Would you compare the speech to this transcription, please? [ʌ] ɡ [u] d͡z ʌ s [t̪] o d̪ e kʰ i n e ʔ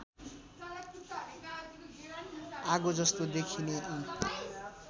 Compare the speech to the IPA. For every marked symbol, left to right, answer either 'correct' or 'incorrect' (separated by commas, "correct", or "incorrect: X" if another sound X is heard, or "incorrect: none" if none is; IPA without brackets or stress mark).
incorrect: a, incorrect: o, correct